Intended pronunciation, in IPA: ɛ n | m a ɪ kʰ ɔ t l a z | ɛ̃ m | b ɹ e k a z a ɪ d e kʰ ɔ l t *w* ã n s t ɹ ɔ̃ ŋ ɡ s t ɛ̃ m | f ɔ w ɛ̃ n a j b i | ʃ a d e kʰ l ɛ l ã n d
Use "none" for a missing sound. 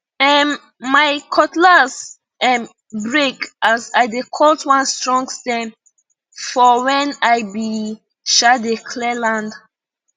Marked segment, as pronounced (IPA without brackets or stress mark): w